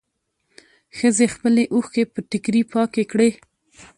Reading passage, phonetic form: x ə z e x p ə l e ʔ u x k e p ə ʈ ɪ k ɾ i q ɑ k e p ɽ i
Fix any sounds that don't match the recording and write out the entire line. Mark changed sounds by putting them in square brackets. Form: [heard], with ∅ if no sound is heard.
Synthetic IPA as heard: x ə z e x p ə l e ʔ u x k e p ə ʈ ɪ k ɾ i [p] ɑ k e [k] ɽ [e]